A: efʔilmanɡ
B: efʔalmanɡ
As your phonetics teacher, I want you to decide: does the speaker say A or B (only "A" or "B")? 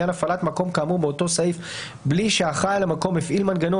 A